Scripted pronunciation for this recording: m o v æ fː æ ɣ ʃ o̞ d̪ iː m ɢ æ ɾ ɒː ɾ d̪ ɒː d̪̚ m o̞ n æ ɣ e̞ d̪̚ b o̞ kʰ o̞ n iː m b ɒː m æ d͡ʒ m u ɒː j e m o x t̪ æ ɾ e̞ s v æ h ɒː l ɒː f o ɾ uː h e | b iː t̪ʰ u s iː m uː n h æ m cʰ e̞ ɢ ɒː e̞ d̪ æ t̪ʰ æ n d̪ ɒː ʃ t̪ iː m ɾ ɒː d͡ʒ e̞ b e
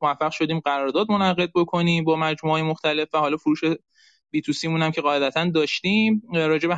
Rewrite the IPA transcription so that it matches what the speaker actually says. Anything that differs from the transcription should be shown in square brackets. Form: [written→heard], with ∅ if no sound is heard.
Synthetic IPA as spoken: m o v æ fː æ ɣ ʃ o̞ d̪ iː m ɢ æ ɾ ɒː ɾ d̪ ɒː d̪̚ m o̞ n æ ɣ e̞ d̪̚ b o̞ kʰ o̞ n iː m b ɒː m æ d͡ʒ m u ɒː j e m o x t̪ æ [ɾ→l] e̞ [s→f] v æ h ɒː l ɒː f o ɾ uː [h→ʃ] e | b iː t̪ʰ u s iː m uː n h æ m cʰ e̞ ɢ ɒː e̞ d̪ æ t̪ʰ æ n d̪ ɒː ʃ t̪ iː m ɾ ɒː d͡ʒ e̞ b e